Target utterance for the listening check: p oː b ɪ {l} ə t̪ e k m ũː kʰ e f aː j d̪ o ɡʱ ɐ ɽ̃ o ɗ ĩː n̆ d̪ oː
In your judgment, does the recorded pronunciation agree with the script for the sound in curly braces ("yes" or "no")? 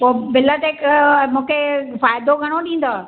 yes